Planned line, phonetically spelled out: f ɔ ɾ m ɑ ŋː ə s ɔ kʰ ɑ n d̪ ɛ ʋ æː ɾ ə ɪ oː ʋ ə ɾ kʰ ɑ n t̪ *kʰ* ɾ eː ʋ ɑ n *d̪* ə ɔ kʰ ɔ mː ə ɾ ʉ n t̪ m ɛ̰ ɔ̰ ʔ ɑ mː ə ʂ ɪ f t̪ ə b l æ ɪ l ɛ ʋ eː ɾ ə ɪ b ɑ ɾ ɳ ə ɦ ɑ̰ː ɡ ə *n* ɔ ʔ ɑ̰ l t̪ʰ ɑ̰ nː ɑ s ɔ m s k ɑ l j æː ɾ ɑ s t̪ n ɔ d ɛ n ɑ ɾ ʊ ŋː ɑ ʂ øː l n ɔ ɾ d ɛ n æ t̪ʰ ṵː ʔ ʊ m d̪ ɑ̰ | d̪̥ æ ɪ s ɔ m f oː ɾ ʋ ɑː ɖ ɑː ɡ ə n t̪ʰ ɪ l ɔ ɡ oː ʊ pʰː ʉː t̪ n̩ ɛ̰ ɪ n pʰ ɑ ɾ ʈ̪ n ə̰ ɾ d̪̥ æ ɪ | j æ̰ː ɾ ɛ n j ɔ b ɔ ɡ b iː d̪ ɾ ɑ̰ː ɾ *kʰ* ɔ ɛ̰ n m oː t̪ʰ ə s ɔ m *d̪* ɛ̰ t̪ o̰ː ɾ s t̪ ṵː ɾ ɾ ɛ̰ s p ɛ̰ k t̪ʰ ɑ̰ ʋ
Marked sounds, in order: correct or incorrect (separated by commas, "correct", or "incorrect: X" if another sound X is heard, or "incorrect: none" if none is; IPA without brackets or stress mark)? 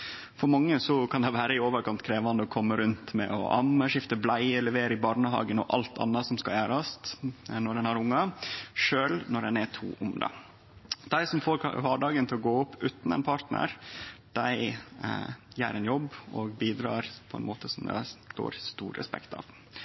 correct, correct, correct, incorrect: pʰ, correct